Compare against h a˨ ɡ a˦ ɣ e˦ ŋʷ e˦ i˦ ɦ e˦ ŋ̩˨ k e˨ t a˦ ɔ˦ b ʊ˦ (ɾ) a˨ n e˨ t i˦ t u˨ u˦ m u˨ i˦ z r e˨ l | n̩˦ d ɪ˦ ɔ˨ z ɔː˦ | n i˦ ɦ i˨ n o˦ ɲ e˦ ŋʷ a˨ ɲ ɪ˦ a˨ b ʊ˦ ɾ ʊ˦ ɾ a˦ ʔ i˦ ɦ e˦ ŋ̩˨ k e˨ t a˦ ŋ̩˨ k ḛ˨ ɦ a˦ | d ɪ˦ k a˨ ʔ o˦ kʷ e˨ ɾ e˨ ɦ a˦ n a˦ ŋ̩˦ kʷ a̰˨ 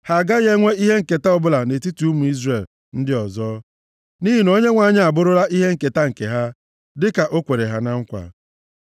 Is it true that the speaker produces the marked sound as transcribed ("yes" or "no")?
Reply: no